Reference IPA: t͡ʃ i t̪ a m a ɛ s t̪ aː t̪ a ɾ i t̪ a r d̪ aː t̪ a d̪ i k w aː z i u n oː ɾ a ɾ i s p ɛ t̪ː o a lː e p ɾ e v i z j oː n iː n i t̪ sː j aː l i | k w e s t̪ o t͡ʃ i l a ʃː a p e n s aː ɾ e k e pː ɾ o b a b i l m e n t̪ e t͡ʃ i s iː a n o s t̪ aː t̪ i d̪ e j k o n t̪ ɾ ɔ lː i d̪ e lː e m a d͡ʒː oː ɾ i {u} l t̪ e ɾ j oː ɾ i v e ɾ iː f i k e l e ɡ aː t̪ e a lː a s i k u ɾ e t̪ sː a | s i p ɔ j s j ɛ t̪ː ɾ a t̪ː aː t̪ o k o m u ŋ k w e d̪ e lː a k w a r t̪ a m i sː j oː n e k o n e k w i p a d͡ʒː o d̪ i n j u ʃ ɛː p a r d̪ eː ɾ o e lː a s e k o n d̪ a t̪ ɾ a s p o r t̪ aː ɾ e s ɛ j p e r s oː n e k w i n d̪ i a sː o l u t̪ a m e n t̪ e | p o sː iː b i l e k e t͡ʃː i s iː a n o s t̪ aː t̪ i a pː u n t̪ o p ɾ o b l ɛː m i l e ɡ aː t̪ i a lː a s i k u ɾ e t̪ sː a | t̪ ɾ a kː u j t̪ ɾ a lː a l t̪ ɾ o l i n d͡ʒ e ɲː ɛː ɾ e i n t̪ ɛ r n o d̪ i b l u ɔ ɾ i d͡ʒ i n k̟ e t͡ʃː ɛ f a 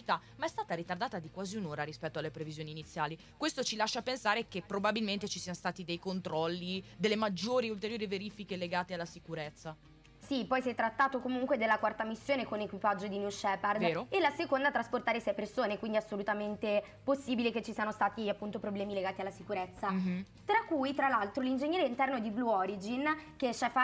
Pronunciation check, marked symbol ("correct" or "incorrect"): correct